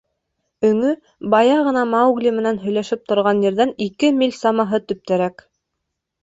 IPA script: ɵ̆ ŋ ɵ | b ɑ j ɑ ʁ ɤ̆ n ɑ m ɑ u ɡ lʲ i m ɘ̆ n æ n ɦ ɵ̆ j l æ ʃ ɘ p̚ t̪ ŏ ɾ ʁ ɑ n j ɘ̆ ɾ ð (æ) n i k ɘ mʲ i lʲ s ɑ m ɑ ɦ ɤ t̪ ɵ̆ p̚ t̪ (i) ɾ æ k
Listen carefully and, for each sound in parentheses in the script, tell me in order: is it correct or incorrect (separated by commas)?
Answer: correct, incorrect